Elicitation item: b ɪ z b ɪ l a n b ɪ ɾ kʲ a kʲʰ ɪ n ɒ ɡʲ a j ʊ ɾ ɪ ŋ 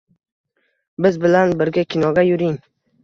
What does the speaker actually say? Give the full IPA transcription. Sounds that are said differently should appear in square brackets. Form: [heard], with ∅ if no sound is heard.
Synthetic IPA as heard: b ɪ z b ɪ l a n b ɪ ɾ [ɡʲ] a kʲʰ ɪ n ɒ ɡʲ a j ʊ ɾ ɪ ŋ